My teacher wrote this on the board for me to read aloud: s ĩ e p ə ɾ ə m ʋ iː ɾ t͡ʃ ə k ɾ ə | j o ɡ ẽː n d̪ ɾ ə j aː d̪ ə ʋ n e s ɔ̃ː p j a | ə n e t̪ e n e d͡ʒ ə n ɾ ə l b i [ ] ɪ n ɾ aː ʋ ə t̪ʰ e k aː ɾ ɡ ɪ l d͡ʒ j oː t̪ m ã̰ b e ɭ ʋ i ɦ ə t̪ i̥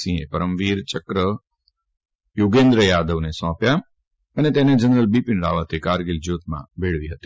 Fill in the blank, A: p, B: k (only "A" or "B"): A